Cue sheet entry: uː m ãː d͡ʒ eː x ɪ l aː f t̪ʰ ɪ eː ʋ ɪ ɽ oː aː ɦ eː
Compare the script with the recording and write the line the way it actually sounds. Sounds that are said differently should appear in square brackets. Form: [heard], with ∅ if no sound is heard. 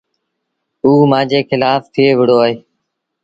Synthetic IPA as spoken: uː m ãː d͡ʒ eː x ɪ l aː f t̪ʰ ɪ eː ʋ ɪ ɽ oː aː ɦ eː